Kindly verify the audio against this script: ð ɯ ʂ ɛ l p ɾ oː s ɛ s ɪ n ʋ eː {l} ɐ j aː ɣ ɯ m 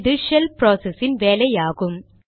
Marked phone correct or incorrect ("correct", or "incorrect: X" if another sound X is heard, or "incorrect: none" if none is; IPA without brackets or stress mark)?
correct